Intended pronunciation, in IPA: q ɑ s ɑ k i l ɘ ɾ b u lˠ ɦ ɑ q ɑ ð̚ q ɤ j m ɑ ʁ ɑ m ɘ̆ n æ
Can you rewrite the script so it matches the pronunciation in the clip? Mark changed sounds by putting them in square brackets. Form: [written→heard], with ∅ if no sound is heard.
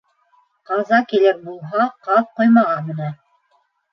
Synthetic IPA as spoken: q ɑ [s→z] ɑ k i l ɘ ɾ b u lˠ ɦ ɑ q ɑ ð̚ q [ɤ→o] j m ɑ ʁ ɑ m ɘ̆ n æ